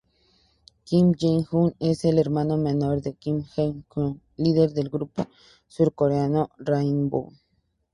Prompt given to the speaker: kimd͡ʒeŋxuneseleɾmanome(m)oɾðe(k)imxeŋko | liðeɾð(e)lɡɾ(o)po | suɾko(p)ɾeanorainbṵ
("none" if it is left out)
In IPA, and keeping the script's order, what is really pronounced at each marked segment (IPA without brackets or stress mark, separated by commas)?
n, k, e, u, none